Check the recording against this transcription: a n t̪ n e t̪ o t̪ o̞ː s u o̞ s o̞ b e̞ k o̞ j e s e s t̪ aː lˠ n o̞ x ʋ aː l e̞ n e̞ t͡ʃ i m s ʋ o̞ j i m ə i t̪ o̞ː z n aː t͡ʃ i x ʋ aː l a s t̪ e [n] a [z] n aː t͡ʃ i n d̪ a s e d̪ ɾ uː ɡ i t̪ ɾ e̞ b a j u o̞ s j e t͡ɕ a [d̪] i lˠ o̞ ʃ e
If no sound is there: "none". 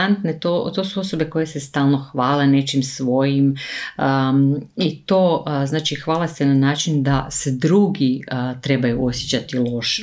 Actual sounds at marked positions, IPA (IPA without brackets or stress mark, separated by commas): n, none, t̪